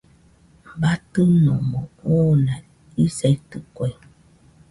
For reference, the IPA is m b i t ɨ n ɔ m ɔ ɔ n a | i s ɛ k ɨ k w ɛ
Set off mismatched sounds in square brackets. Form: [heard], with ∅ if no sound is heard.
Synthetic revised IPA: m b [a] t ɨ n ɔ m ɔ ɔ n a | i s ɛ [t] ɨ k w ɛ